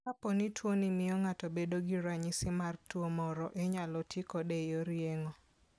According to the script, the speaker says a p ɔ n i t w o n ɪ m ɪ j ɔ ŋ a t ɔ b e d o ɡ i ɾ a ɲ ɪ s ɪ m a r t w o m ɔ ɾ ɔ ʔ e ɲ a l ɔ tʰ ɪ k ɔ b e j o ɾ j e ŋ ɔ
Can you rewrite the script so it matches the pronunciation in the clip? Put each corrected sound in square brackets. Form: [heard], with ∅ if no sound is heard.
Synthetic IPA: a p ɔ n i t w o n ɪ m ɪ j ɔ ŋ a t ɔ b e d o ɡ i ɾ a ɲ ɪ s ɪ m a r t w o m ɔ ɾ ɔ ʔ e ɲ a l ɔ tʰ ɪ k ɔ [d] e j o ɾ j e ŋ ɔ